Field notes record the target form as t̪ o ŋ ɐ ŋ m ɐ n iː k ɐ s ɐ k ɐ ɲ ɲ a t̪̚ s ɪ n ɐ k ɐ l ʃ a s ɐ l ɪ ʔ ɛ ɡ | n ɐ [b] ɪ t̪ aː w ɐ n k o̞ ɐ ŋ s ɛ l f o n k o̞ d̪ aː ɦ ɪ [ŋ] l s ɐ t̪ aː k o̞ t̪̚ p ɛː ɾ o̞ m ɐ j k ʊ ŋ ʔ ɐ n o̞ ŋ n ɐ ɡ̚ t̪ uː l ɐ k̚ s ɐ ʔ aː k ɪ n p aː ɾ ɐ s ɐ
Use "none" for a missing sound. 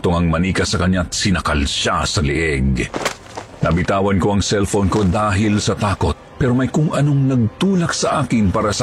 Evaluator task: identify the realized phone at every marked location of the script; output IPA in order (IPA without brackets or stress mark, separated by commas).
b, none